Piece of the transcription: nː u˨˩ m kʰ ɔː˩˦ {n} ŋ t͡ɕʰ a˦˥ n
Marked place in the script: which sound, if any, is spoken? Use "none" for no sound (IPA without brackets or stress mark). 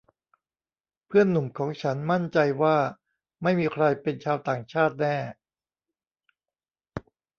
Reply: none